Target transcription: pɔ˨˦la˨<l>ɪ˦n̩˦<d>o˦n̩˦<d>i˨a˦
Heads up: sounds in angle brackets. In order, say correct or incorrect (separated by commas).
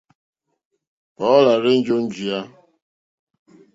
incorrect, incorrect, incorrect